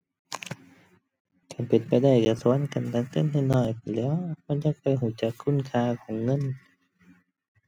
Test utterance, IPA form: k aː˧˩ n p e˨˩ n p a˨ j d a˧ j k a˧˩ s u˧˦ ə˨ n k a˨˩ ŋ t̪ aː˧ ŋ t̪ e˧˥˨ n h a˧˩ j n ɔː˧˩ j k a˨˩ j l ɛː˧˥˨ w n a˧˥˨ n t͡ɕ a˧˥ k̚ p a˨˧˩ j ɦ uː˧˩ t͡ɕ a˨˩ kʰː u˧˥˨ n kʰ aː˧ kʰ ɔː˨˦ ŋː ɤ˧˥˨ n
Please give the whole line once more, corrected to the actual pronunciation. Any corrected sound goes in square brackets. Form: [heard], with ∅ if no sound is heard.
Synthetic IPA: k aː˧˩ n p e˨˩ n p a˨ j d [a˧˩] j k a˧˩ s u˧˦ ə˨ n k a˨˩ [n] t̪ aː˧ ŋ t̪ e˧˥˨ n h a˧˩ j n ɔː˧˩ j [p] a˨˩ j l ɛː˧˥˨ w [m] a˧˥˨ n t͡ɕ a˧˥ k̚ p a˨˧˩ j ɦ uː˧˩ t͡ɕ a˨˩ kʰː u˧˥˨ n kʰ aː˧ kʰ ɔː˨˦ ŋː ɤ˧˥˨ n